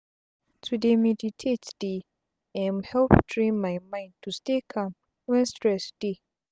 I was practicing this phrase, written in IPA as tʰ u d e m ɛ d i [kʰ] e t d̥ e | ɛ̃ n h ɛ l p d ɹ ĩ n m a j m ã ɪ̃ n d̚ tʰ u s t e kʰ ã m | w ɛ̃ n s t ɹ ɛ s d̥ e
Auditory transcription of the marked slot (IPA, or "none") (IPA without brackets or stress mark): tʰ